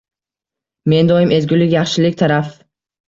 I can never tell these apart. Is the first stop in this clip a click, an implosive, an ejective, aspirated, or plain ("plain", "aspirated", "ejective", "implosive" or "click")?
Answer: plain